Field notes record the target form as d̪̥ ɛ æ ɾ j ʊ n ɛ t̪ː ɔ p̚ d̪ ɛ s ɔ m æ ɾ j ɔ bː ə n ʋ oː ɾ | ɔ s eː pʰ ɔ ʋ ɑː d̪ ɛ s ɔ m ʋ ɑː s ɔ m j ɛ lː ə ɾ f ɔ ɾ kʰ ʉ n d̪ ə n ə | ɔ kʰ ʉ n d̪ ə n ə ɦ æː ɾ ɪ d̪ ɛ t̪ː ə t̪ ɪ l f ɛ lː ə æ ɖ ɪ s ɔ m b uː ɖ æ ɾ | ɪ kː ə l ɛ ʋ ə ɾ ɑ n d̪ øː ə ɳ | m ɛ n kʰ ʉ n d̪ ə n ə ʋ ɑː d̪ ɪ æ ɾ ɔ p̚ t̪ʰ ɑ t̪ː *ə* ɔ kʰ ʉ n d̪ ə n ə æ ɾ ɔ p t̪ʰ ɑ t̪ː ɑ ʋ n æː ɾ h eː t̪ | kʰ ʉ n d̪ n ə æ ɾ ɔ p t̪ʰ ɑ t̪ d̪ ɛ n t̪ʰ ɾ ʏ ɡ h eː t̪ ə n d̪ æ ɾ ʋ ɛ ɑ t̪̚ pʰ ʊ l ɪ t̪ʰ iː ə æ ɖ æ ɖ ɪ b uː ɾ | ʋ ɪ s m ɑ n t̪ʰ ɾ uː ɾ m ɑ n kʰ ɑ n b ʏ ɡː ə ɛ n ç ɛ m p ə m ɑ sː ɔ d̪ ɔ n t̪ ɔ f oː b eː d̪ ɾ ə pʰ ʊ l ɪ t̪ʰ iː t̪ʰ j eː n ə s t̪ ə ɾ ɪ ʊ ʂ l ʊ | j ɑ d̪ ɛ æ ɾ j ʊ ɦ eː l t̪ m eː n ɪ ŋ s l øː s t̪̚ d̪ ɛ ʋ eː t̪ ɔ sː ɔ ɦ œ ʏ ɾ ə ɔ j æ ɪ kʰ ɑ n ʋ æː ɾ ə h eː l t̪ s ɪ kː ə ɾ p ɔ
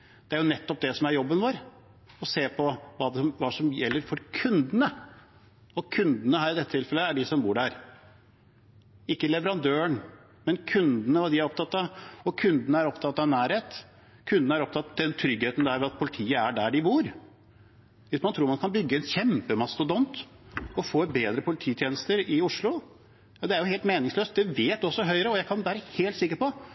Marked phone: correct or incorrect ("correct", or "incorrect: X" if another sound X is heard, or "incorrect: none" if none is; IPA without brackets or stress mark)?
incorrect: ɑ